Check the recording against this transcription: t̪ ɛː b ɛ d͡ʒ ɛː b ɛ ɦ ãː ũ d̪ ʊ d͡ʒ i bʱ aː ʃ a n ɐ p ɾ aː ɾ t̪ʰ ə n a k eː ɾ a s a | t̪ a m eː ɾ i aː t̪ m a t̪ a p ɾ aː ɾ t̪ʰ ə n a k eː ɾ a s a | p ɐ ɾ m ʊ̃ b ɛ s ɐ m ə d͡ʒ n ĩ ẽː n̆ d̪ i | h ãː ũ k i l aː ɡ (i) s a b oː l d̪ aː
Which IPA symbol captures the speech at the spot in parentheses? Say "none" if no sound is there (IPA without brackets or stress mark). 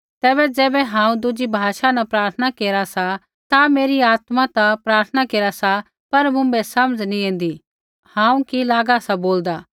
a